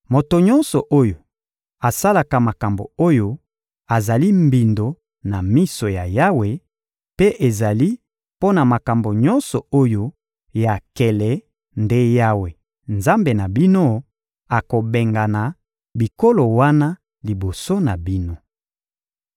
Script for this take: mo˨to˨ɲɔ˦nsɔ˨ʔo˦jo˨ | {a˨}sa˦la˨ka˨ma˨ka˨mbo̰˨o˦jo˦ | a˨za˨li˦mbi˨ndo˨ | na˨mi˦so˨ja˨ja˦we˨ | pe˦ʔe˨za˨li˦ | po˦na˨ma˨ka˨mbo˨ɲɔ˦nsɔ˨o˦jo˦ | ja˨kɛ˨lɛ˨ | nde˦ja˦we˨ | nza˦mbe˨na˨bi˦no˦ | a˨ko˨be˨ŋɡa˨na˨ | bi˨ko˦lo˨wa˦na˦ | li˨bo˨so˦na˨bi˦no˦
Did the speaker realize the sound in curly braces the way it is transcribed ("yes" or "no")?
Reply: yes